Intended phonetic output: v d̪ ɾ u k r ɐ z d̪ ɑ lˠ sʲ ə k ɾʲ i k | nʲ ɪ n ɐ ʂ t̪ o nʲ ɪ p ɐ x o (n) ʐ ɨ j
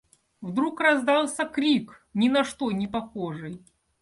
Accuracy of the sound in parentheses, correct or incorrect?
incorrect